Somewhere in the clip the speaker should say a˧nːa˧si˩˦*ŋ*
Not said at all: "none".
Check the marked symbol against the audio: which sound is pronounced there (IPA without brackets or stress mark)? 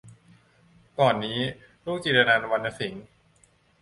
ŋ